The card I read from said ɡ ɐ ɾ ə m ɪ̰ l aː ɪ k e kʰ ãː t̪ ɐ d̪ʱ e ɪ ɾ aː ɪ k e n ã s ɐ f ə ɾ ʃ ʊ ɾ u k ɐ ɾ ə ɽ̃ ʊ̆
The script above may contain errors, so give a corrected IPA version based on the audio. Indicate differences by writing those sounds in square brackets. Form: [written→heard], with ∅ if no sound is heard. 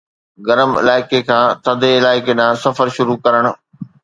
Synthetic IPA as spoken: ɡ ɐ ɾ ə m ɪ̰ l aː ɪ k e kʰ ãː t̪ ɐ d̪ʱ e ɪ [ɾ→l] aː ɪ k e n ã s ɐ f ə ɾ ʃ ʊ ɾ u k ɐ ɾ ə ɽ̃ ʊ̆